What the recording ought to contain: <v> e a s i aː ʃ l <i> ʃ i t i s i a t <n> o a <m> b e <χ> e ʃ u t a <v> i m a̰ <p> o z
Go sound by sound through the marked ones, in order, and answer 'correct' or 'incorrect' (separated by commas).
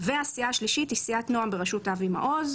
correct, correct, correct, correct, incorrect, correct, incorrect